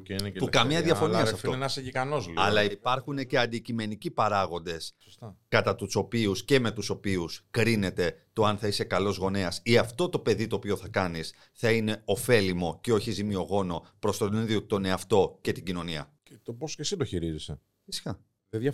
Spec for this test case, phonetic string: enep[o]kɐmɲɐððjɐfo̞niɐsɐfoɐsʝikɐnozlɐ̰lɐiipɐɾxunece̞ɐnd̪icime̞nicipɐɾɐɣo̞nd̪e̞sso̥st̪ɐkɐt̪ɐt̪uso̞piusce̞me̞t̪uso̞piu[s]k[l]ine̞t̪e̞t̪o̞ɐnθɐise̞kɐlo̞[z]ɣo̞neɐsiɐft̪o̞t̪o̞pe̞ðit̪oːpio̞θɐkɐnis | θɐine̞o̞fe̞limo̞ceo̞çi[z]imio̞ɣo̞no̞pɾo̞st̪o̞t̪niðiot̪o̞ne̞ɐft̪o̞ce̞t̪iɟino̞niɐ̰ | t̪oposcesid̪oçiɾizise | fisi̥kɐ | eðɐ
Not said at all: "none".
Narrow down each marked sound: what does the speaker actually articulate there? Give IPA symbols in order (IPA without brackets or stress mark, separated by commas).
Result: u, s, ɾ, z, z